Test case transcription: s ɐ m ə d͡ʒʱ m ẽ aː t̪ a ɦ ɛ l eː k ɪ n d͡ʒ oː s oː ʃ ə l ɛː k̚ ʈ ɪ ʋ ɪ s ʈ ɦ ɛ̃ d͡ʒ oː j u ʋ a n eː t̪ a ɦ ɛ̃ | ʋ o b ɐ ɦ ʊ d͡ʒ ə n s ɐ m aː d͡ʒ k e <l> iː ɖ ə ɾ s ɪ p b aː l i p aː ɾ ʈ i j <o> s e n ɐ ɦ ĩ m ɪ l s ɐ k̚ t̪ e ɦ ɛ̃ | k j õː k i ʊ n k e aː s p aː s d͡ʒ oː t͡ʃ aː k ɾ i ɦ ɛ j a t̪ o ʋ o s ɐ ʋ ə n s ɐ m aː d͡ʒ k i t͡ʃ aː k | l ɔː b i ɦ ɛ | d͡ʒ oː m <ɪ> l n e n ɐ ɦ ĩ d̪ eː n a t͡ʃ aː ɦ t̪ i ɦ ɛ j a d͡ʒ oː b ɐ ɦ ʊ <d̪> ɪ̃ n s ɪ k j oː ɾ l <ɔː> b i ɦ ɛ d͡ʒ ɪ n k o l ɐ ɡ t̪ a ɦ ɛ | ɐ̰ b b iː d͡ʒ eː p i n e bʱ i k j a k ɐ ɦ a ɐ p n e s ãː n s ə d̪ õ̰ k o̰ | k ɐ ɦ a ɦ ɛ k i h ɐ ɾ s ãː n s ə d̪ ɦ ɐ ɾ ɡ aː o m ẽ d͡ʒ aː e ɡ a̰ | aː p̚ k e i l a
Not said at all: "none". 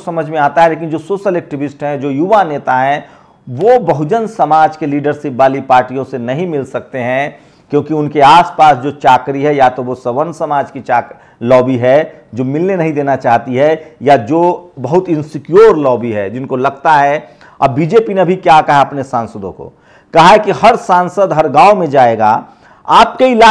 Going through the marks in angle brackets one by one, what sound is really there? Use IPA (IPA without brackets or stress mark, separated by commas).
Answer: l, õ, ɪ, t̪, ɔː